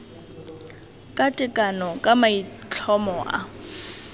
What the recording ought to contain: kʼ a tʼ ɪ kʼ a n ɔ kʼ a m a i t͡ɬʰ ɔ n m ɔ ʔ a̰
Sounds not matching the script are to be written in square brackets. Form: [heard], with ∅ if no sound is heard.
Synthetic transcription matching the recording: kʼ a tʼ ɪ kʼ a n ɔ kʼ a m a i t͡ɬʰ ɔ [∅] m ɔ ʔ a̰

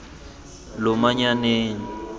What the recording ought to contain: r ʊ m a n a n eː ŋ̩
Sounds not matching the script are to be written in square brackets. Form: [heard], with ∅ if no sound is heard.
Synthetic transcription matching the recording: [l] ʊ m a [ɲ] a n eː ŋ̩

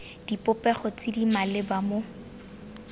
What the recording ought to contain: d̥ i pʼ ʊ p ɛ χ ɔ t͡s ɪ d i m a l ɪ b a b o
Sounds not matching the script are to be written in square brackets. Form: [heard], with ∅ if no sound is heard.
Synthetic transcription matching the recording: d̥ i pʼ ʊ p ɛ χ ɔ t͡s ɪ d i m a l ɪ b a [m] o

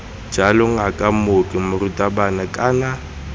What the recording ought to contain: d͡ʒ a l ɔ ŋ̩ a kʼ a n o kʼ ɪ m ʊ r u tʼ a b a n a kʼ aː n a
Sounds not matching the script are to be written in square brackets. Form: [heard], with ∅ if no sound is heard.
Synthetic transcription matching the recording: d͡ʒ a l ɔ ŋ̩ a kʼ a [m] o kʼ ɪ m ʊ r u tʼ a b a n a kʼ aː n a

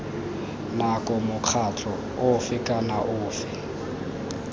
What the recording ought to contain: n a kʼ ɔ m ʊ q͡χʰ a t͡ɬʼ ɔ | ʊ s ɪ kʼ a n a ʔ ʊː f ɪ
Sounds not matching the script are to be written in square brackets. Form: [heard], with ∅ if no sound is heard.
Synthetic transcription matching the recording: n a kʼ ɔ m ʊ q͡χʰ a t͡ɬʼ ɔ | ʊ [f] ɪ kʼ a n a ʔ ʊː f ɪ

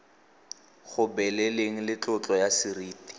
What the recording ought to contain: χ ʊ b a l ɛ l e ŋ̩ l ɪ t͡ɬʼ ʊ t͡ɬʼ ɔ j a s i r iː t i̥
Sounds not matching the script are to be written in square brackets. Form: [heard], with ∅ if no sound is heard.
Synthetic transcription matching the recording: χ ʊ b [ɛ] l ɛ l e ŋ̩ l ɪ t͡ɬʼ ʊ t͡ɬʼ ɔ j a s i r iː t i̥

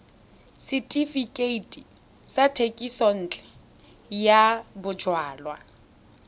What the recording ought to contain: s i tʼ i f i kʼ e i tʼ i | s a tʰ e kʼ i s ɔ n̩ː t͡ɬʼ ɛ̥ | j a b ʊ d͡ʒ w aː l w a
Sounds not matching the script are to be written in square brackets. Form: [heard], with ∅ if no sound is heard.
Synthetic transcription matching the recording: s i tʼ i f i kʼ e i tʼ i | s a tʰ e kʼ i s ɔ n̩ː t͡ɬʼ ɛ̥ | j a b ʊ d͡ʒ w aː l w a

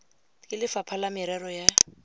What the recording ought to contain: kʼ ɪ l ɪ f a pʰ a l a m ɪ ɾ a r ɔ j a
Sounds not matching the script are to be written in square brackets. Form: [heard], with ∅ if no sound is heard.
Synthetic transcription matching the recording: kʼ ɪ l ɪ f a pʰ a l a m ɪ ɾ [ɛ] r ɔ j a

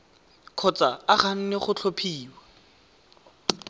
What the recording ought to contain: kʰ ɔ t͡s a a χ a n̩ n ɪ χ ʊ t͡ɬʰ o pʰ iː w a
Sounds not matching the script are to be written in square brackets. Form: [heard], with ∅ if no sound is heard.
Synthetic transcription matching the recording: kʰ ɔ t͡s a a χ a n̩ n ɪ χ ʊ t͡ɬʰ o pʰ iː w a

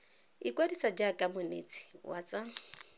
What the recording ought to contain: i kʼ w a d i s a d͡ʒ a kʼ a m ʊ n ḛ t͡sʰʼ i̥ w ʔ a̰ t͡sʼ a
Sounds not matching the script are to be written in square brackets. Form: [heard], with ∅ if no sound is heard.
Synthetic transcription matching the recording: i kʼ w a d i s a d͡ʒ a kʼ a m ʊ n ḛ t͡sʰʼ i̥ w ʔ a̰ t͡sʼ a

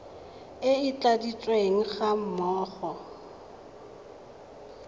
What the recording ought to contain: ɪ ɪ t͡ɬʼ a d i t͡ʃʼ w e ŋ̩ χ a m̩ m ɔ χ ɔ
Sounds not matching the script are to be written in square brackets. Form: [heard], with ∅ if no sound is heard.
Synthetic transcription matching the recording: ɪ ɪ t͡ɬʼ a d i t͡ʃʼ w e ŋ̩ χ a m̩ m [ɔː] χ ɔ

